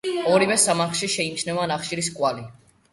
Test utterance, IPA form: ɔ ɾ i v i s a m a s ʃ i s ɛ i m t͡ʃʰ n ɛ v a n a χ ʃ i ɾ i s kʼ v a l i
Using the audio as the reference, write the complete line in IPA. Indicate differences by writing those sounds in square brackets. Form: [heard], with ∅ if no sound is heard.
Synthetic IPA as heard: ɔ ɾ i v [ɛ] s a m a [χ] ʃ i [ʃ] ɛ i m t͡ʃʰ n ɛ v a n a χ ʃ i ɾ i s kʼ [w] a l i

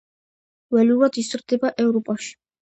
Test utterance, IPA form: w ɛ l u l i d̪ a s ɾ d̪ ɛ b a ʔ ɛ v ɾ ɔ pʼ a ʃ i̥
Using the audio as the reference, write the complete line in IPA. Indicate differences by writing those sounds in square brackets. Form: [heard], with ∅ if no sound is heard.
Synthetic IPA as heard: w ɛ l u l [a] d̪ [i] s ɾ d̪ ɛ b a ʔ ɛ v ɾ ɔ pʼ a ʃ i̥

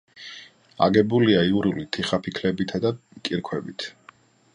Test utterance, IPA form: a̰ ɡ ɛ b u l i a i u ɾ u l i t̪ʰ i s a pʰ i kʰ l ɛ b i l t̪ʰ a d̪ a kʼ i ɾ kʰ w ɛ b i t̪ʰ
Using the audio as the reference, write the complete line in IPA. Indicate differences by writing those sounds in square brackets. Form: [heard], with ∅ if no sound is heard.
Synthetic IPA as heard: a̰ ɡ ɛ b u l i a i u ɾ u l i t̪ʰ i [χ] a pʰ i kʰ l ɛ b i [∅] t̪ʰ a d̪ a kʼ i ɾ kʰ w ɛ b i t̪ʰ

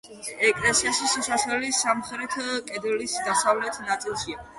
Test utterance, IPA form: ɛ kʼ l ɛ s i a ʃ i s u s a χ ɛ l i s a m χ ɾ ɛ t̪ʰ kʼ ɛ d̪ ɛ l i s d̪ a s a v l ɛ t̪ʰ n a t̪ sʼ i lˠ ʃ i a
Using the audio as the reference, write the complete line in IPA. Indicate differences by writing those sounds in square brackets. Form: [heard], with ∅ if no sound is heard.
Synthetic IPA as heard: ɛ kʼ l ɛ s i a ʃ i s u s a χ ɛ l i s a m χ ɾ ɛ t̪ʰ kʼ ɛ d̪ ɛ l i s d̪ a s a v l ɛ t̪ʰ n a t̪ sʼ i lˠ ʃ i a

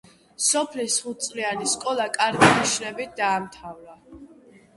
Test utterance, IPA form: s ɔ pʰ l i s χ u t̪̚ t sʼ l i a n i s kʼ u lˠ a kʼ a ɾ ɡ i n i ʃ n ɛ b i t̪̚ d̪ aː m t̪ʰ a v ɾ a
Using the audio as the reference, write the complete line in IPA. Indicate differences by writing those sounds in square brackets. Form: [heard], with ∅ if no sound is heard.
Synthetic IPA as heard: s ɔ pʰ l i s χ u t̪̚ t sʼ l i a n i s kʼ [ɔ] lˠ a kʼ a ɾ ɡ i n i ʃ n ɛ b i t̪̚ d̪ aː m t̪ʰ a v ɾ a

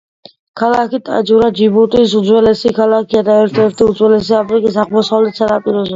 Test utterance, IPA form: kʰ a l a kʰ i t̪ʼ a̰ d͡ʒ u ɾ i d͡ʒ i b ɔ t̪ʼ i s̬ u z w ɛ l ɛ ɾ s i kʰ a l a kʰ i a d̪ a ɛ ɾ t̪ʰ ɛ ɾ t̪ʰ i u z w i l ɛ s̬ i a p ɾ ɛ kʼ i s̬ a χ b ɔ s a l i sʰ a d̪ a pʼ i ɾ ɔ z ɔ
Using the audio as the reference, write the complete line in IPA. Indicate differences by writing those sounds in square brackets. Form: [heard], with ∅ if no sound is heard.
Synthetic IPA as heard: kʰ a l a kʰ i t̪ʼ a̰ d͡ʒ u ɾ [a] d͡ʒ i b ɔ t̪ʼ i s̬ u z w ɛ l ɛ [∅] s i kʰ a l a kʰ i a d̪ a ɛ ɾ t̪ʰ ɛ ɾ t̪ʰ i u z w [ɛ] l ɛ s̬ i a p ɾ [i] kʼ i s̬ a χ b ɔ s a l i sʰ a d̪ a pʼ i ɾ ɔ z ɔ

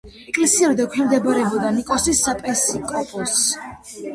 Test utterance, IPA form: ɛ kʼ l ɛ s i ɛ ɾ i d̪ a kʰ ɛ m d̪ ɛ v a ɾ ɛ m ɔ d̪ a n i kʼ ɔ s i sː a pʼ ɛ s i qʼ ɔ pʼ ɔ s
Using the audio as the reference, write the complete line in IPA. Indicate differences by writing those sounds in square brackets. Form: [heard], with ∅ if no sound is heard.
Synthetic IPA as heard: ɛ kʼ l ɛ s i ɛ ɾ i d̪ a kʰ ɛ m d̪ ɛ [b] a ɾ ɛ [b] ɔ d̪ a n i kʼ ɔ s i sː a pʼ ɛ s i [kʼ] ɔ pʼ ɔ s

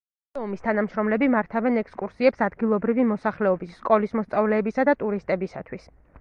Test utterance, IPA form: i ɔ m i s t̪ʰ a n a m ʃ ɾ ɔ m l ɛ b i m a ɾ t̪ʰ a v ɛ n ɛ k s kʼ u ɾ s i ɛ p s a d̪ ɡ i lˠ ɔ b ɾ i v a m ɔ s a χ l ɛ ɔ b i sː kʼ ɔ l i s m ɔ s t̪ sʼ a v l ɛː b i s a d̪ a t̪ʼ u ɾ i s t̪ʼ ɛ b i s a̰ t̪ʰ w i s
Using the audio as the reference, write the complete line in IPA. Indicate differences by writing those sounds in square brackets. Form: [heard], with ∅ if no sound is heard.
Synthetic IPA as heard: [ɛ] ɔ m i s t̪ʰ a n a m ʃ ɾ ɔ m l ɛ b i m a ɾ t̪ʰ a v ɛ n ɛ k s kʼ u ɾ s i ɛ p s a d̪ ɡ i lˠ ɔ b ɾ i v [i] m ɔ s a χ l ɛ ɔ b i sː kʼ ɔ l i s m ɔ s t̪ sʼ a v l ɛː b i s a d̪ a t̪ʼ u ɾ i s t̪ʼ ɛ b i s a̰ t̪ʰ w i s

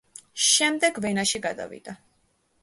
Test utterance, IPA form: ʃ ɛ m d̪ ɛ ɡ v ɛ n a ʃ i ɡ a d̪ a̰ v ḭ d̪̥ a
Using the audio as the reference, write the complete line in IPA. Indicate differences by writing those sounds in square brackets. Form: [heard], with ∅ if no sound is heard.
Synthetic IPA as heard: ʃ ɛ m d̪ ɛ ɡ v ɛ n a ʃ i ɡ a d̪ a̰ v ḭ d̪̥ a

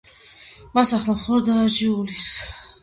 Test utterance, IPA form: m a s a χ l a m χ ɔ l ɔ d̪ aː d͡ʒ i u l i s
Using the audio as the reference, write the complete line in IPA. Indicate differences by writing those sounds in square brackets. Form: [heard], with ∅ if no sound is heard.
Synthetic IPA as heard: m a s a χ l a m χ ɔ l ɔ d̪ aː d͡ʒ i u l i s

